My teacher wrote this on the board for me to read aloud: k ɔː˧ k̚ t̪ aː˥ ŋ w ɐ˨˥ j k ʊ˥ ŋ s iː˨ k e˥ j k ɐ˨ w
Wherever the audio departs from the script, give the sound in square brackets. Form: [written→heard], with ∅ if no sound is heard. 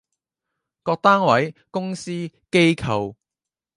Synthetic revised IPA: k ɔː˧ k̚ t̪ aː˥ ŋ w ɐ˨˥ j k ʊ˥ ŋ s [iː˨→iː˥] k e˥ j [k→kʰ] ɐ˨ w